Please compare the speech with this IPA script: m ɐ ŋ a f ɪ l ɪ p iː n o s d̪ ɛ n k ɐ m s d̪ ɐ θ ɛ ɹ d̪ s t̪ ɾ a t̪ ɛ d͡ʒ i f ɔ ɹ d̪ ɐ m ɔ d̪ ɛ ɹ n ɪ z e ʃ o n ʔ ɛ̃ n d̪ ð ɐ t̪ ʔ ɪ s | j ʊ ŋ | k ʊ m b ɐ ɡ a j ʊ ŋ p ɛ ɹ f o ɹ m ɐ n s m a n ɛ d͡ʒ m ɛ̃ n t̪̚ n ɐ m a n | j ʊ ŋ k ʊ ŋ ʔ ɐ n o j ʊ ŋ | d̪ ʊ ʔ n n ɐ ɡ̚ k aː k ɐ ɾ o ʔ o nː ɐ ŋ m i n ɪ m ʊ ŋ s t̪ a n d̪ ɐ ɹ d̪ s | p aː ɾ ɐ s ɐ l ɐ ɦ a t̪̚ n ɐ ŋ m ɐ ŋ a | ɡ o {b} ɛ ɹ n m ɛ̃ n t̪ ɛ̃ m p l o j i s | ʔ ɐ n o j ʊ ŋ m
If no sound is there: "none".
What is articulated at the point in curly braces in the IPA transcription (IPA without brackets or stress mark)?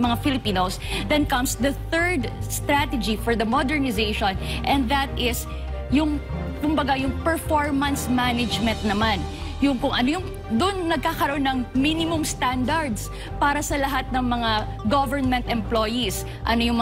v